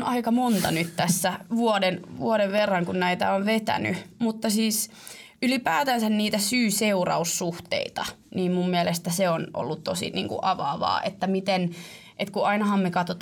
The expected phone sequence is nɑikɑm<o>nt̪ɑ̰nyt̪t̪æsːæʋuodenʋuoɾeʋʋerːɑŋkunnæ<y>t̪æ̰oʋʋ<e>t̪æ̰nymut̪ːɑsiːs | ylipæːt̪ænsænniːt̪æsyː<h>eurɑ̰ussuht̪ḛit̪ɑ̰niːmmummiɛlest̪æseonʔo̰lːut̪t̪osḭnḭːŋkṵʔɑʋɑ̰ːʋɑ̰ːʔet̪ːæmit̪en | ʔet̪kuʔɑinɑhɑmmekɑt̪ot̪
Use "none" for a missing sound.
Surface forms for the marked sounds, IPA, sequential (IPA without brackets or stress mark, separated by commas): o, i, e, s